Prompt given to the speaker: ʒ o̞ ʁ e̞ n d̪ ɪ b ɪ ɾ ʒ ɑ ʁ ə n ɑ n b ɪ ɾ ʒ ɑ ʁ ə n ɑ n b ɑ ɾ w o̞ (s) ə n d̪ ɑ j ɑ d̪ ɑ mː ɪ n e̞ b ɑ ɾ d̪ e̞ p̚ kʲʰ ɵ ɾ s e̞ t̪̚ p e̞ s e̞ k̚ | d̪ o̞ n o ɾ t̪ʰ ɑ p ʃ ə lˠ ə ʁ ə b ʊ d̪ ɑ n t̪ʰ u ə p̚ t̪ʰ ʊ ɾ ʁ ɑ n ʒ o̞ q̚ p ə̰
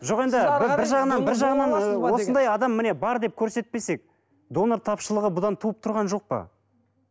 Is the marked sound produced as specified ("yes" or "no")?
yes